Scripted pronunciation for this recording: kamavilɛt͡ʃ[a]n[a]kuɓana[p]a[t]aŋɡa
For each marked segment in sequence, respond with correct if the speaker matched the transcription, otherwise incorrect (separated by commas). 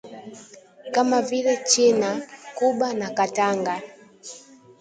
incorrect, correct, incorrect, correct